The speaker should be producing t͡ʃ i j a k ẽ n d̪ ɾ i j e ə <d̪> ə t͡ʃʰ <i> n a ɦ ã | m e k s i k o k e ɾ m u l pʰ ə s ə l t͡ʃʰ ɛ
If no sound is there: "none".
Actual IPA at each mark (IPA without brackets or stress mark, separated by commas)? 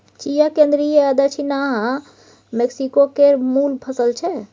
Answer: d̪, i